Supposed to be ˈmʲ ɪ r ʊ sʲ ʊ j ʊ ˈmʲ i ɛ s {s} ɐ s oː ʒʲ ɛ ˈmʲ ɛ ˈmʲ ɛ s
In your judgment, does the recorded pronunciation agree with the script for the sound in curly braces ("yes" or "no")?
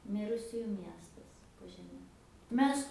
no